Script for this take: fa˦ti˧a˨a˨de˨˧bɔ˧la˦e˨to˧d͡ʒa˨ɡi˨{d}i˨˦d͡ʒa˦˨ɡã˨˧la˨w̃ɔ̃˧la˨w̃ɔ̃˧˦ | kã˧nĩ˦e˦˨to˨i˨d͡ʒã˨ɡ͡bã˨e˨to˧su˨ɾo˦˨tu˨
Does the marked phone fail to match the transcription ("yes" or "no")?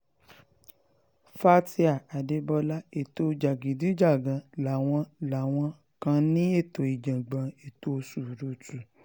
no